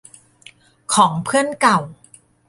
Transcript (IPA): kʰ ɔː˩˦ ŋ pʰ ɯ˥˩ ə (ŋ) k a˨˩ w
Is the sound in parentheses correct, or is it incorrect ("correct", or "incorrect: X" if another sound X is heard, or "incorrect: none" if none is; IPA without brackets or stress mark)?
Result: incorrect: n